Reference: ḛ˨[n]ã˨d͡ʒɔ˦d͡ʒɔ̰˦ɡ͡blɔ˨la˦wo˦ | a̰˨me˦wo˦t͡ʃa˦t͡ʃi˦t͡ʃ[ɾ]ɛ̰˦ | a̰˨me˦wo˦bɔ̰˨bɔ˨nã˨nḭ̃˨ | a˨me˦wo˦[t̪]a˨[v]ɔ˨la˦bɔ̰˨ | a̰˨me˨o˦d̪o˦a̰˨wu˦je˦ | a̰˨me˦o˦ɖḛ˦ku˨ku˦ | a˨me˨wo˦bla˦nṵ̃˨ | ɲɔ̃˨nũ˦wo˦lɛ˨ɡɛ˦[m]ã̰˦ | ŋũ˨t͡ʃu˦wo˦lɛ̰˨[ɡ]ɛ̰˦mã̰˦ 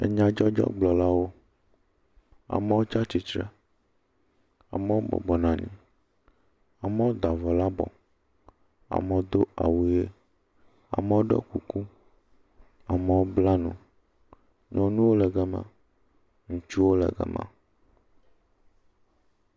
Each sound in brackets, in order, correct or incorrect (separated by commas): incorrect, correct, incorrect, correct, correct, correct